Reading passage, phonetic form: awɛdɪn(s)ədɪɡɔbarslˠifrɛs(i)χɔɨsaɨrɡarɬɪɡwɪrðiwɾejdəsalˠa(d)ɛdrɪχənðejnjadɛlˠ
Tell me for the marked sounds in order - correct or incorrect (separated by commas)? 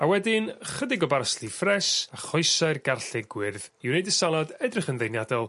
incorrect, incorrect, correct